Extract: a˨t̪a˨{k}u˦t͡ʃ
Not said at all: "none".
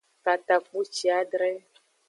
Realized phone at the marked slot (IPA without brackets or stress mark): k͡p